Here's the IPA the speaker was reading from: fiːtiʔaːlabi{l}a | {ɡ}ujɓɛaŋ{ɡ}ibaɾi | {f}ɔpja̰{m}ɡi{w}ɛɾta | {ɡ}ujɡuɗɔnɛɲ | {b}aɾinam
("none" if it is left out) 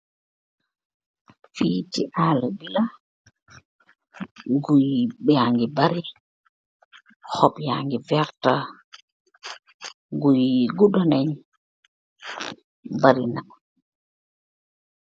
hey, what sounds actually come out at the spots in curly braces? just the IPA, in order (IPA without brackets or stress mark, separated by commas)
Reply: l, ɡ, ɡ, h, ŋ, v, ɡ, b